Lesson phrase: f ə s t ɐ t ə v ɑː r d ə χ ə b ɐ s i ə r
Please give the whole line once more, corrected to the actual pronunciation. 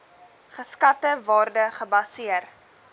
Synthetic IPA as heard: χ ə s k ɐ t ə v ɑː r d ə χ ə b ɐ s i ə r